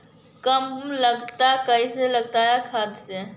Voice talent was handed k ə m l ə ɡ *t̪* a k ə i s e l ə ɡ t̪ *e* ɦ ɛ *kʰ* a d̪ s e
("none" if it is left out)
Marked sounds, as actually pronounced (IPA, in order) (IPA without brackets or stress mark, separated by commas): t̪, a, kʰ